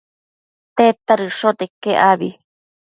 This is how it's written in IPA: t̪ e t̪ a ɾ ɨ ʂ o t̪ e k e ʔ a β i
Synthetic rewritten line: t̪ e t̪ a ɾ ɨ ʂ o t̪ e k e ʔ a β i